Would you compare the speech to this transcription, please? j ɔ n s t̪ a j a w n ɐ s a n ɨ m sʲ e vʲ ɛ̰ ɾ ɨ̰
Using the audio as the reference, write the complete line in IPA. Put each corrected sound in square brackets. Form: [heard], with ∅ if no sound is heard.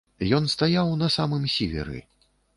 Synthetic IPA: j ɔ n s t̪ a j a w n ɐ s a [m] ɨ m sʲ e vʲ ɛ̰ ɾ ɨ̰